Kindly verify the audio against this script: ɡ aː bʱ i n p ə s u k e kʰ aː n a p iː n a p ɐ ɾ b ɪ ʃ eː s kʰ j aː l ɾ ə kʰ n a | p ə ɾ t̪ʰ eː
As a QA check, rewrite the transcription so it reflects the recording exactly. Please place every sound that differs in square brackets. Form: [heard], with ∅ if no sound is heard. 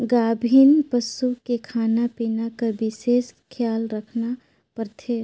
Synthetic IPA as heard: ɡ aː bʱ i n p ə s u k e kʰ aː n a p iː n a [k] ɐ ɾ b ɪ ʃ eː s kʰ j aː l ɾ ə kʰ n a | p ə ɾ t̪ʰ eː